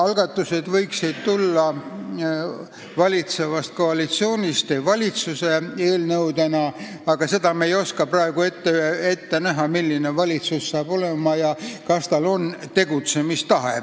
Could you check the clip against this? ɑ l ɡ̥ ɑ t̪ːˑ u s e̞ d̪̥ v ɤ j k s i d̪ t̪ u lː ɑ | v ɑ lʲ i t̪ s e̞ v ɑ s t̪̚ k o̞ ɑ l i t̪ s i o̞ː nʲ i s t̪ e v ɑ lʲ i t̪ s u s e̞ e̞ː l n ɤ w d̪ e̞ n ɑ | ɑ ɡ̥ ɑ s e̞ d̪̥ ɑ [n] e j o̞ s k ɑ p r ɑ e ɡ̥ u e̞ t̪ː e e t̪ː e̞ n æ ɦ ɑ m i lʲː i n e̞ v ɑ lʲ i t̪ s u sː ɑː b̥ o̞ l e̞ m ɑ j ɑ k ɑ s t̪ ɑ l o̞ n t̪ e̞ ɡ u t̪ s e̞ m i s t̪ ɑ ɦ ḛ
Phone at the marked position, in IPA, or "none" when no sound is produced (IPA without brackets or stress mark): m